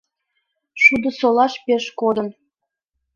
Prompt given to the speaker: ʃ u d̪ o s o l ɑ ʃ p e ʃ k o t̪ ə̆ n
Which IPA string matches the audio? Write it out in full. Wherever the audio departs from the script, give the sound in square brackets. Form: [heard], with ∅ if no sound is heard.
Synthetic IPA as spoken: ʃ u d̪ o s o l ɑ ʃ p e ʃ k o [d̪] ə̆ n